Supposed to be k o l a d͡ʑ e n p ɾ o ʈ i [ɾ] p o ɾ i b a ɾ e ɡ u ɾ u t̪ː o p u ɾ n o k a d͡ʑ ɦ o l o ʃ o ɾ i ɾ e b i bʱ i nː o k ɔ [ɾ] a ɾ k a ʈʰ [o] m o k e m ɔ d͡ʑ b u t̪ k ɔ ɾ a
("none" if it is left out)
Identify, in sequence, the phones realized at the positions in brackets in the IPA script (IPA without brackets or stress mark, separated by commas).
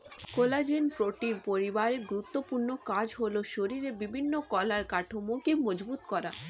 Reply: ɾ, l, o